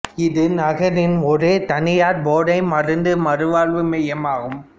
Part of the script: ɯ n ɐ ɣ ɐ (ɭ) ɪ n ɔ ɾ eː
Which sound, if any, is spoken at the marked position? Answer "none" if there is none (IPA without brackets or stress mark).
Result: ɾ